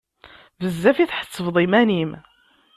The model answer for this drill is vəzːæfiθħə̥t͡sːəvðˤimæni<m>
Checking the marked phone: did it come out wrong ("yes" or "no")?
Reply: no